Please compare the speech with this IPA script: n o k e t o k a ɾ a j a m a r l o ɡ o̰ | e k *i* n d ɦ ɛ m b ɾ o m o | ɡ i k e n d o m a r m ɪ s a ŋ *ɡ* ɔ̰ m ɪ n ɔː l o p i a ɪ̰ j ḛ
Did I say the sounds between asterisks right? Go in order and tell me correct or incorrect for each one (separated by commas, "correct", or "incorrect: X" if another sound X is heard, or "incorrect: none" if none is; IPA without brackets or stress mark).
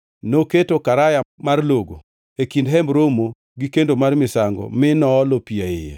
correct, correct